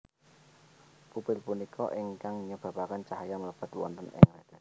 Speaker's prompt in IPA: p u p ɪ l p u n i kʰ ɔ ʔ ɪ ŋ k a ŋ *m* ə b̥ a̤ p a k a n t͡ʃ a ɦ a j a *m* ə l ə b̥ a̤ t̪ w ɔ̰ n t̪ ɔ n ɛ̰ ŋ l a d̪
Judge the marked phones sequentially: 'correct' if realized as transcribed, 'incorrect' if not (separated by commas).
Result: incorrect, correct